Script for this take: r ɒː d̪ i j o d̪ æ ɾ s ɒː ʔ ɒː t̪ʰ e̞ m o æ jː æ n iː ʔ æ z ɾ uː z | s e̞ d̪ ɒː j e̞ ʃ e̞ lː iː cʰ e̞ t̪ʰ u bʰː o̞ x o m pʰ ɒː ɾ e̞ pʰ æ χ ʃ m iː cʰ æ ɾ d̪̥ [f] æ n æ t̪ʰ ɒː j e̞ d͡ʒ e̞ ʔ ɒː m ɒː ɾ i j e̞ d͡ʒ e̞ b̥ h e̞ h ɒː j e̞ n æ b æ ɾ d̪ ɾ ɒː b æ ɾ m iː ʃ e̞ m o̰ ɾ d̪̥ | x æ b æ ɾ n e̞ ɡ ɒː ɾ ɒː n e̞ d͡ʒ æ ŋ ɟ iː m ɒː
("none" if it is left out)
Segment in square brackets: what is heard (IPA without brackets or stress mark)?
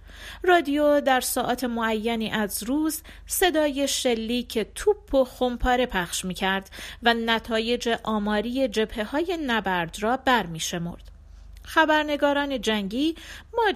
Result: v